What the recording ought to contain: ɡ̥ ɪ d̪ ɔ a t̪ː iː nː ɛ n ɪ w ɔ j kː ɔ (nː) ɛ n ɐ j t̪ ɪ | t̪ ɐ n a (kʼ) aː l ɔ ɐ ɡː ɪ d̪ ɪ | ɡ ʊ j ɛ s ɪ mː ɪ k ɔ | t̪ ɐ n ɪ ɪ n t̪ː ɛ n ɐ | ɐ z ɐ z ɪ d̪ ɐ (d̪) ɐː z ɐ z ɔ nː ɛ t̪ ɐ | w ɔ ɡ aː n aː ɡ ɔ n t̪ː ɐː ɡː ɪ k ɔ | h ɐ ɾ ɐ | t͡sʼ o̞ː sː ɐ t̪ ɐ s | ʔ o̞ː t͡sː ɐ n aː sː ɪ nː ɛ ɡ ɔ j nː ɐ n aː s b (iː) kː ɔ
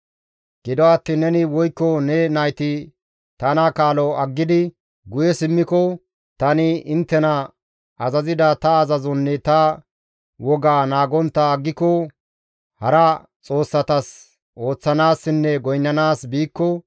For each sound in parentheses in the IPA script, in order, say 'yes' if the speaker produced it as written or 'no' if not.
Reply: no, no, no, yes

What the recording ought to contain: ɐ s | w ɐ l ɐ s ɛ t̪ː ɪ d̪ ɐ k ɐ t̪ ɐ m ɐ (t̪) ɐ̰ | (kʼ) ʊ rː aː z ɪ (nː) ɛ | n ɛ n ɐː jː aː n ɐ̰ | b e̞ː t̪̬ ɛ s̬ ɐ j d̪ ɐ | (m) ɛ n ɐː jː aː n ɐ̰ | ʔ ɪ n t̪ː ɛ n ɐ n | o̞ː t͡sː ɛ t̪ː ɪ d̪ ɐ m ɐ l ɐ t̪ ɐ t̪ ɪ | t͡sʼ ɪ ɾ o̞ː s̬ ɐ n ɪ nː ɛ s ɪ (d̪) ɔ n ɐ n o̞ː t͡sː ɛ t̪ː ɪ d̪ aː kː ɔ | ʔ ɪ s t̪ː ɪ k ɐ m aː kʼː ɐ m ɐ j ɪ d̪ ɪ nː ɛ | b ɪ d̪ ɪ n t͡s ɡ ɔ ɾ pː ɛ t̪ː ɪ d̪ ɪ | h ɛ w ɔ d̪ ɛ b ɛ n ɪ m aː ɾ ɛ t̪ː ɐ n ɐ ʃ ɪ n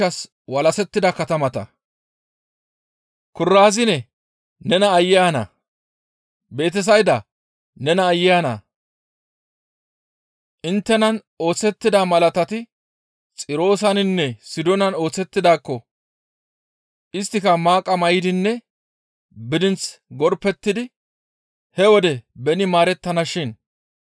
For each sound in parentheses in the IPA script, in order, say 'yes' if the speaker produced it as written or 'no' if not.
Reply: yes, no, no, no, yes

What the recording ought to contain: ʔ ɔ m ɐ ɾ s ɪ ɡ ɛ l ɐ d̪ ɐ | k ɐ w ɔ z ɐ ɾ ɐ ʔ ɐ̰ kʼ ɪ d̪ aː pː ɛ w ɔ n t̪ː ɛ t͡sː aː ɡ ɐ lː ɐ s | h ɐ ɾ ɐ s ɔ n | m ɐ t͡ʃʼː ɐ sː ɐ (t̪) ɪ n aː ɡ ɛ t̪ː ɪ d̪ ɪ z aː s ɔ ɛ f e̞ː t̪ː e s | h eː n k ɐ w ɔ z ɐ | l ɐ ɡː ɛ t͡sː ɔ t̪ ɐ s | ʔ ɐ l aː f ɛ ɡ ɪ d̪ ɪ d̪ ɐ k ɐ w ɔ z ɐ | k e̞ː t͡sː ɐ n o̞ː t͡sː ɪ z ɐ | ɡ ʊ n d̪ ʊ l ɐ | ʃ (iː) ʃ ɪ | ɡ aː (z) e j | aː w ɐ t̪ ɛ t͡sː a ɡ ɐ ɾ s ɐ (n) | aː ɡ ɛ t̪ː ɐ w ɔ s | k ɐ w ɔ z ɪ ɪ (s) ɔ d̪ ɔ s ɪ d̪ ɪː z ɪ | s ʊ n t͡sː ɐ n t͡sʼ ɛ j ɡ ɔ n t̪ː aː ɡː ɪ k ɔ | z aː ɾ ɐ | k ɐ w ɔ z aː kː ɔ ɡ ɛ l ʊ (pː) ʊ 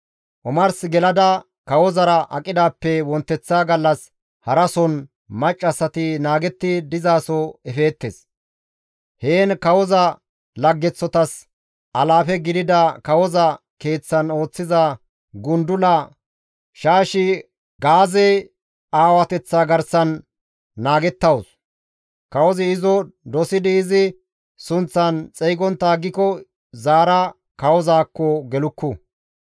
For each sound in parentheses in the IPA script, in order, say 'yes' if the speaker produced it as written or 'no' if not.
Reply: yes, no, yes, no, no, no

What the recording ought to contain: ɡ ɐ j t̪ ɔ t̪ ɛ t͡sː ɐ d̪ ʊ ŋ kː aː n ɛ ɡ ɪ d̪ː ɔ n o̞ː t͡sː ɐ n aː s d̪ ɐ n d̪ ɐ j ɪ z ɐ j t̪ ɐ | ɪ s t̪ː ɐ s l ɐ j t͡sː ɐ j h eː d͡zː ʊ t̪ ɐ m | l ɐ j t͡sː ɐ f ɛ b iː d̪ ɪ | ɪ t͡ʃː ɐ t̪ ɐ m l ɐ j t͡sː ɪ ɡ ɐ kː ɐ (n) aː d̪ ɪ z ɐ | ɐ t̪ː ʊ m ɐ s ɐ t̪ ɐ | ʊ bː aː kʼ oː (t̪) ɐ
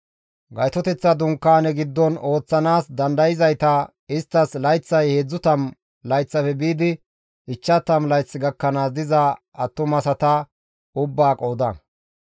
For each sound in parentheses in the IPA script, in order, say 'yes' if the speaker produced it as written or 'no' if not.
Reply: yes, no

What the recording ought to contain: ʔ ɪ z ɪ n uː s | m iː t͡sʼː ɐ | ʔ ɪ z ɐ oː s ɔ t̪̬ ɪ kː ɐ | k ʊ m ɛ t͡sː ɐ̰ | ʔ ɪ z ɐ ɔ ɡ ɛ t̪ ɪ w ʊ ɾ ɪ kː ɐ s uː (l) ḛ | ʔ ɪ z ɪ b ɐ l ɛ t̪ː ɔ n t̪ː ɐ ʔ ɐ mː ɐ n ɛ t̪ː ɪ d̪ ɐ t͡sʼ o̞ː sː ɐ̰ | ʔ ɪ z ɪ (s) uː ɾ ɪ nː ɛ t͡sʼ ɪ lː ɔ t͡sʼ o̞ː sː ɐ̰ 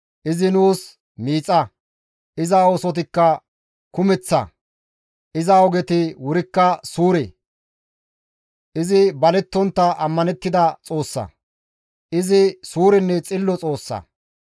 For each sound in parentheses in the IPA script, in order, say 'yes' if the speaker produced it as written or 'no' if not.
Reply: no, yes

